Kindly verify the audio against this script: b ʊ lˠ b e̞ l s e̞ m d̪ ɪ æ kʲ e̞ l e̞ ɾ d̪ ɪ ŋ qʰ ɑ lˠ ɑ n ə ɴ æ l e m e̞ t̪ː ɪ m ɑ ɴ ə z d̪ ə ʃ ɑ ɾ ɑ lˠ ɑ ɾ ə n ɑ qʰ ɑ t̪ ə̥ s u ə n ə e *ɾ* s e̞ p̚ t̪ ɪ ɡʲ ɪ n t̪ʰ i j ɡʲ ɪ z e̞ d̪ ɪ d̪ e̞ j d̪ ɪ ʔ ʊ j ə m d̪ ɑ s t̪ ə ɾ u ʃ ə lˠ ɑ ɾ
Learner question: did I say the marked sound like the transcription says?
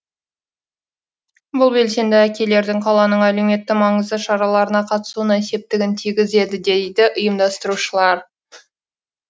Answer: no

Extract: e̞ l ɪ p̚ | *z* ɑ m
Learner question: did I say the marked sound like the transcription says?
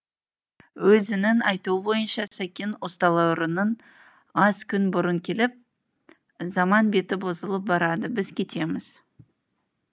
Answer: yes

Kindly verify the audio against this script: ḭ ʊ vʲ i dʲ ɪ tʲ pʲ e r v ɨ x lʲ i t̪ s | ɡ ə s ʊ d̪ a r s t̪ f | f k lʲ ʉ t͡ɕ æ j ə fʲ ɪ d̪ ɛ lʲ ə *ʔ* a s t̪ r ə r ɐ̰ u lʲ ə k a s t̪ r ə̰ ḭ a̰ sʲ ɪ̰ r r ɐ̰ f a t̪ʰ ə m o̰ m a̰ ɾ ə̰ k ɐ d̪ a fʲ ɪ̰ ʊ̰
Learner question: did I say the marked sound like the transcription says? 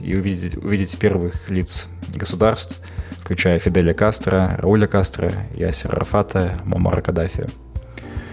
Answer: no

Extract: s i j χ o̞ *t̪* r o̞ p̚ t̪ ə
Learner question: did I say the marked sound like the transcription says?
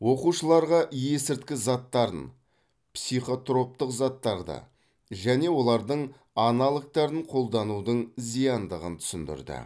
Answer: yes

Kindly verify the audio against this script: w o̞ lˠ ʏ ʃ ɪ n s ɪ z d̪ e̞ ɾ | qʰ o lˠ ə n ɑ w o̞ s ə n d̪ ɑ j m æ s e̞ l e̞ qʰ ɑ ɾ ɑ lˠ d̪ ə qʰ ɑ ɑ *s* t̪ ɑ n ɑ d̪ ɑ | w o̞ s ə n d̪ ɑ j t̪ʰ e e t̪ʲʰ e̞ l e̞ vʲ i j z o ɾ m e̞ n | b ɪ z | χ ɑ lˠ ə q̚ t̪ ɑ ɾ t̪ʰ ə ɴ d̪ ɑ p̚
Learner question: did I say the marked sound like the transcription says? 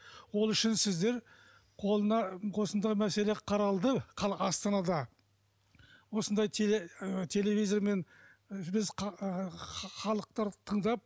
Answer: yes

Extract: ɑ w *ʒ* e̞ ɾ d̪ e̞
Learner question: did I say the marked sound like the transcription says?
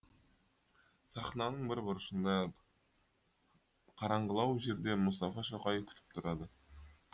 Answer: yes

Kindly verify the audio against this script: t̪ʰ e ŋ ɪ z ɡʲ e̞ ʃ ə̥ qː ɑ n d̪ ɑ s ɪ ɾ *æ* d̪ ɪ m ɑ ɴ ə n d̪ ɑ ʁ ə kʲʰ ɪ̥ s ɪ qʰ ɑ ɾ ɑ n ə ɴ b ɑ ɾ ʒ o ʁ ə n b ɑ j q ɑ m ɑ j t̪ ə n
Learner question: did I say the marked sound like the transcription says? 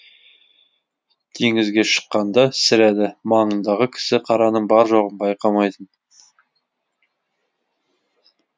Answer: yes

